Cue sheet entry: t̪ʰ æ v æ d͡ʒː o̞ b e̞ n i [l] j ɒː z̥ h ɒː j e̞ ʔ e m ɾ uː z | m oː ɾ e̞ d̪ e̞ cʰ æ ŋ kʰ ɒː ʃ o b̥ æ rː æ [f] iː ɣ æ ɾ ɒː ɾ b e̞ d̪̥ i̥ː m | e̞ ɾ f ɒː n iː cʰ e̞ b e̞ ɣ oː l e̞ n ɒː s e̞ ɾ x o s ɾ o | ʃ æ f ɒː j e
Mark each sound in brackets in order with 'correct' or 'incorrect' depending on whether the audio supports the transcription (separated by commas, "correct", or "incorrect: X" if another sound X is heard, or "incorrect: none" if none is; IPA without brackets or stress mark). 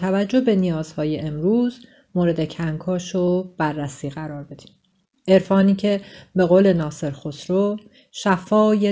incorrect: none, incorrect: s